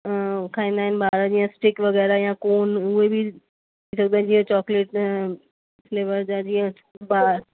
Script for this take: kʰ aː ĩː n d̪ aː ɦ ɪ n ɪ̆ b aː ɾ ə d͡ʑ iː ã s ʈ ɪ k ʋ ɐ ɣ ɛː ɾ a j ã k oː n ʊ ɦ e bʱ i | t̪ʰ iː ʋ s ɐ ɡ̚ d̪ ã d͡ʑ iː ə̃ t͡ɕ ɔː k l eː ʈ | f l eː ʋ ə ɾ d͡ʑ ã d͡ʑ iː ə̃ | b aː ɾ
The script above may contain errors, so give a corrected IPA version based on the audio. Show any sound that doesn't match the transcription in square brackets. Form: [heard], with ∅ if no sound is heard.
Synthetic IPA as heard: kʰ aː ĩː n d̪ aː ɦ ɪ n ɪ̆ b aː ɾ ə d͡ʑ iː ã s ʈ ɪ k ʋ ɐ ɣ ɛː ɾ a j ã k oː n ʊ ɦ e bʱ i | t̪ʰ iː [∅] s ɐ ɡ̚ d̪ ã d͡ʑ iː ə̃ t͡ɕ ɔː k l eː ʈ | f l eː ʋ ə ɾ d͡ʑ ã d͡ʑ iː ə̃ | b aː ɾ